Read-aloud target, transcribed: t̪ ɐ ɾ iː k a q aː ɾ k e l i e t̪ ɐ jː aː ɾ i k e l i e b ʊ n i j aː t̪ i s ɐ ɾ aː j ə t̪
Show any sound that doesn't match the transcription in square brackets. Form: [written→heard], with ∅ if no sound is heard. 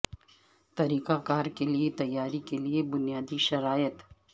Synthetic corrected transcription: t̪ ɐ ɾ iː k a [q→k] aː ɾ k e l i e t̪ ɐ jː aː ɾ i k e l i e b ʊ n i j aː [t̪→d̪] i [s→ʃ] ɐ ɾ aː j ə t̪